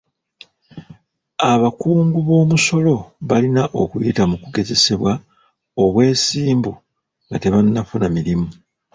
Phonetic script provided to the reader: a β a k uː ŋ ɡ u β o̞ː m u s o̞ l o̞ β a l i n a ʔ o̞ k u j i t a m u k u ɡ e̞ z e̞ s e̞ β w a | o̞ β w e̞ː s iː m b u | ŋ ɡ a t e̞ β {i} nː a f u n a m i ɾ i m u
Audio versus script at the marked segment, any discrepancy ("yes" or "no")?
yes